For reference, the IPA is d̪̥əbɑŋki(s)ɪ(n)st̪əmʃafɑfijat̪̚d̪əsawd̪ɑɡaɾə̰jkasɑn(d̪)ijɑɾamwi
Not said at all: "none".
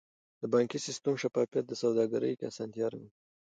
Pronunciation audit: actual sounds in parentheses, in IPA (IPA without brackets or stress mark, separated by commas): s, none, t̪